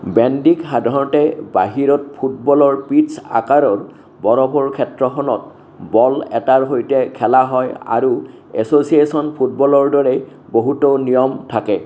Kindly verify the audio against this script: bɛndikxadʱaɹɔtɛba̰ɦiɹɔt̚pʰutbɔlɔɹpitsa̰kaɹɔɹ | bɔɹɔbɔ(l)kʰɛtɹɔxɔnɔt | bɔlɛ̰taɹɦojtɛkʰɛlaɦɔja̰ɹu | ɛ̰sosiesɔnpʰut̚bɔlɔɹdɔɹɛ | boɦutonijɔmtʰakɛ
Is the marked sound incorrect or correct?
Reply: incorrect: ɹ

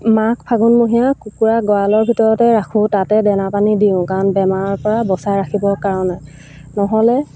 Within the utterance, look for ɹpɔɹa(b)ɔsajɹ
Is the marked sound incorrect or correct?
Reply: correct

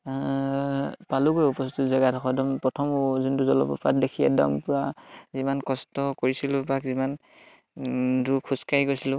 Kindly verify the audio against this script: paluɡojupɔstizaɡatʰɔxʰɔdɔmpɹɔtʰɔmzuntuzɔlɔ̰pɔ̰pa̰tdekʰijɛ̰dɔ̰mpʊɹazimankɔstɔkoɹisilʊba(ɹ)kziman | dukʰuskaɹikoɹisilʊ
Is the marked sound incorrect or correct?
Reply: incorrect: none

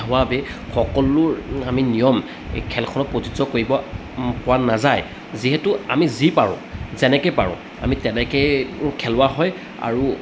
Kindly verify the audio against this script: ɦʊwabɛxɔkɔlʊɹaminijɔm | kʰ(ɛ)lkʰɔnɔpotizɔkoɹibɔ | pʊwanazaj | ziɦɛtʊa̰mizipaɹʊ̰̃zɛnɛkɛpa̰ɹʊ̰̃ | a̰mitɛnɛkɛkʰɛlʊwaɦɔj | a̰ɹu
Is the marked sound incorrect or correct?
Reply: correct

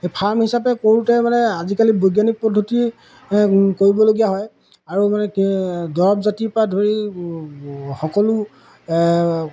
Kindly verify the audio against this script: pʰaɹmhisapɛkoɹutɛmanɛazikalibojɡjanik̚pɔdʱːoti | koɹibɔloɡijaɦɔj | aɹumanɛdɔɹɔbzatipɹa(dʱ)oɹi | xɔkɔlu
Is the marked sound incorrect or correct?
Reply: correct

